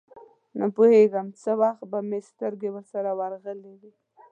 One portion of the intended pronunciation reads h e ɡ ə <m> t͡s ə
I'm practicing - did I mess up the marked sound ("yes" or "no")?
no